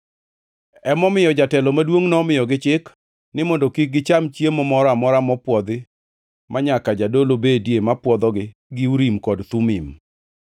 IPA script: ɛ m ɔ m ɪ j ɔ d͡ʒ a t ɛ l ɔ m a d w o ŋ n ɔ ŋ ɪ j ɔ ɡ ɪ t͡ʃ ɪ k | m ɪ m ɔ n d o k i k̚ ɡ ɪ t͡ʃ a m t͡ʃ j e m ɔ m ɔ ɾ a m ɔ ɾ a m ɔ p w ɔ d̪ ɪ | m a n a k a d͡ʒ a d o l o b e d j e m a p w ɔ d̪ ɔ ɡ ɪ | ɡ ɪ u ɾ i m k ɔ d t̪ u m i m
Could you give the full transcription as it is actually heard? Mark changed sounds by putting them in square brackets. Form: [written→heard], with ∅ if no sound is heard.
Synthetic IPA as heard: ɛ m ɔ m ɪ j ɔ d͡ʒ a t ɛ l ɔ m a d w o ŋ n ɔ [ŋ→m] ɪ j ɔ ɡ ɪ t͡ʃ ɪ k | [m→n] ɪ m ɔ n d o k i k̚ ɡ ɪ t͡ʃ a m t͡ʃ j e m ɔ m ɔ ɾ a m ɔ ɾ a m ɔ p w ɔ d̪ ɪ | m a [n→ɲ] a k a d͡ʒ a d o l o b e d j e m a p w ɔ d̪ ɔ ɡ ɪ | ɡ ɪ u ɾ i m k ɔ d t̪ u m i m

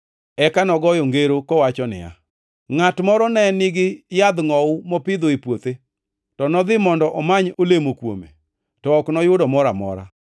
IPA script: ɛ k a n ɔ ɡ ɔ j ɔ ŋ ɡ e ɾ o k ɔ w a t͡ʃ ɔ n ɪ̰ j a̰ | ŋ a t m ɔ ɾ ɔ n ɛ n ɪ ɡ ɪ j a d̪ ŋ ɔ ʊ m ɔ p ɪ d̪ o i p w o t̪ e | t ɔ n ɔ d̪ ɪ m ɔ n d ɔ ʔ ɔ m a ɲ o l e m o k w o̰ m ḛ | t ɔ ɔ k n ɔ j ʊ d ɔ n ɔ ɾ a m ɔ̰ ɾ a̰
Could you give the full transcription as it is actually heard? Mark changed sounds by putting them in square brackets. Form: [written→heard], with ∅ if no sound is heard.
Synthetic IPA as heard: ɛ k a n ɔ ɡ ɔ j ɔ ŋ ɡ e ɾ o k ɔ w a t͡ʃ ɔ n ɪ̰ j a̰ | ŋ a t m ɔ ɾ ɔ n ɛ n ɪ ɡ ɪ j a d̪ ŋ ɔ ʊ m ɔ p ɪ d̪ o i p w o t̪ e | t ɔ n ɔ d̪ ɪ m ɔ n d ɔ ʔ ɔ m a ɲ o l e m o k w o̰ m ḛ | t ɔ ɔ k n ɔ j ʊ d ɔ [n→m] ɔ ɾ a m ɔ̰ ɾ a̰

